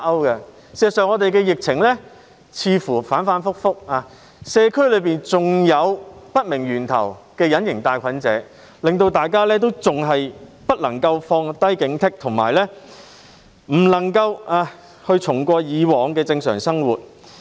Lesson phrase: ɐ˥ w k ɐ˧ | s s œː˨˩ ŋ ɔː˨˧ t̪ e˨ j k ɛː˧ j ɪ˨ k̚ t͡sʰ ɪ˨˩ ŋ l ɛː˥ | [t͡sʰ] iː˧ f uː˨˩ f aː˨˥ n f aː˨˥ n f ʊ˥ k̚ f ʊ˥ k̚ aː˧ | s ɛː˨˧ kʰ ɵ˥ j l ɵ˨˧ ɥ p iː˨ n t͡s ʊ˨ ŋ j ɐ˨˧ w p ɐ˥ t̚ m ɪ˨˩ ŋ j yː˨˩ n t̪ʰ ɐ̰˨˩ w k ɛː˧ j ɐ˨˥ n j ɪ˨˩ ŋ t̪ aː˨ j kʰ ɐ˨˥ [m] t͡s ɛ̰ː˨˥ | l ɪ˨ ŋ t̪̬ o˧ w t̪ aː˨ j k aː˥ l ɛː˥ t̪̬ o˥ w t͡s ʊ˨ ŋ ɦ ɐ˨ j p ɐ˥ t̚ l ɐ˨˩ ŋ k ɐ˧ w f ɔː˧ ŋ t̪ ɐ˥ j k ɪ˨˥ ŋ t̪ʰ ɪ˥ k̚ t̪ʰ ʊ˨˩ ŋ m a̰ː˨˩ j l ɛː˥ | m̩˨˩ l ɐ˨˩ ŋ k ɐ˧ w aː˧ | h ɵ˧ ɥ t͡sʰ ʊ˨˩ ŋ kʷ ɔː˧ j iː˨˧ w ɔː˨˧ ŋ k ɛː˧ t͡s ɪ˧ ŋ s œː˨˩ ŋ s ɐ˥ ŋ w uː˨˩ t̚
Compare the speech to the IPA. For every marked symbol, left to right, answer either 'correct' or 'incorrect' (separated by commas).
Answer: correct, incorrect